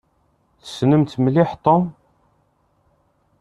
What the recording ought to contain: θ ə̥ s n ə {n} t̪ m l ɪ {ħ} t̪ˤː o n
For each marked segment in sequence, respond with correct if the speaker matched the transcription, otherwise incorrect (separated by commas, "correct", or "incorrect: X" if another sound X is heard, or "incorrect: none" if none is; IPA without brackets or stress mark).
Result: incorrect: m, correct